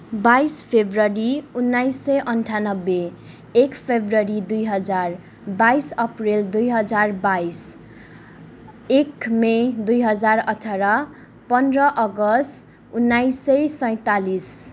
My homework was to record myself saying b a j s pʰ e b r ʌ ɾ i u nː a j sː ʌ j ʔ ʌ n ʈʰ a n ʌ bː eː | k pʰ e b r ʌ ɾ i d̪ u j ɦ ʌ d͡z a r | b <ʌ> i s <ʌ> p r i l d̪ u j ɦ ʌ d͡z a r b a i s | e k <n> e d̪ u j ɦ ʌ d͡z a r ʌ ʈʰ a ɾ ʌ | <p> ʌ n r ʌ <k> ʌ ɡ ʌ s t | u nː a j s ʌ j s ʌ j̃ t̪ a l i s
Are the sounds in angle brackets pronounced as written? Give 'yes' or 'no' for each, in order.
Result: no, yes, no, yes, no

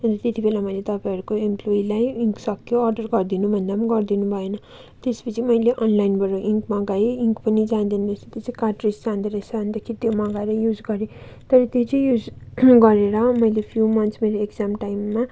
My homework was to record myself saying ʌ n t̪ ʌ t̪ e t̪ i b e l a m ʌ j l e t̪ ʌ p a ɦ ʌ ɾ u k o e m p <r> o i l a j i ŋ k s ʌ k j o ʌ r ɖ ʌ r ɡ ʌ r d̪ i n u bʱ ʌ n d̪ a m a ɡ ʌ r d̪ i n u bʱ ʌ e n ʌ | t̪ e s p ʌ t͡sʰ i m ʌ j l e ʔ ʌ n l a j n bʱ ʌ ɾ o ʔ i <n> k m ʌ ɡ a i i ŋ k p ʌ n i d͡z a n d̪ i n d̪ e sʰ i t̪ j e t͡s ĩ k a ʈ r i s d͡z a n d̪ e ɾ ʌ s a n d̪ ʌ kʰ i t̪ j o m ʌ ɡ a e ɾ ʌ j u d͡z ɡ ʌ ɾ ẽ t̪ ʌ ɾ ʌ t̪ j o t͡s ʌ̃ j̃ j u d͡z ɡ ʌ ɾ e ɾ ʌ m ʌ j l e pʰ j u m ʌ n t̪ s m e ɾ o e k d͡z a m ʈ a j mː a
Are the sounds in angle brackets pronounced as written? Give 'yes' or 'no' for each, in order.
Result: no, no

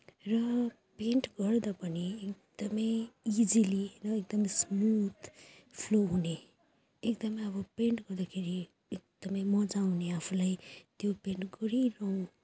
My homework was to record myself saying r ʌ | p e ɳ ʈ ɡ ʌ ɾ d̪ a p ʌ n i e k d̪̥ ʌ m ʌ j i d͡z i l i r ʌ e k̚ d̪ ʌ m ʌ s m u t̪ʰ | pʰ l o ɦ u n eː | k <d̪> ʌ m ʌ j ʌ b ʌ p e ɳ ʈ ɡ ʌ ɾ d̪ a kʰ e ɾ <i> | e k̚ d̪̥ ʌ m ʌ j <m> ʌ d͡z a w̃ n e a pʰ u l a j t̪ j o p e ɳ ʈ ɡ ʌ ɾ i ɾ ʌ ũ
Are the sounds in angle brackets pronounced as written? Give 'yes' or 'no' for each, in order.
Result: yes, yes, yes

